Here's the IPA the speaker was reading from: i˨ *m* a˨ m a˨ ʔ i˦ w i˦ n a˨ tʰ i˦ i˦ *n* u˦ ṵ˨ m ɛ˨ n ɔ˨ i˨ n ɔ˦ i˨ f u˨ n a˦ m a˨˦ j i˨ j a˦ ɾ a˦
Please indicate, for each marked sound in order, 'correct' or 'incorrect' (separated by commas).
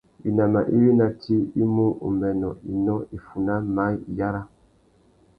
incorrect, incorrect